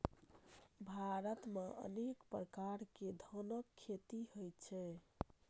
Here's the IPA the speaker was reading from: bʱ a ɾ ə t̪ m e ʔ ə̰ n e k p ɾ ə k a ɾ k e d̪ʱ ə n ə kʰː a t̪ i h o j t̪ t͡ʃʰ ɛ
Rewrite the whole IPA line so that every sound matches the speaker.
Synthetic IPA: bʱ a ɾ ə t̪ m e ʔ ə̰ n e k p ɾ ə k a ɾ k e d̪ʱ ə n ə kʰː e t̪ i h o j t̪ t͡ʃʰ ɛ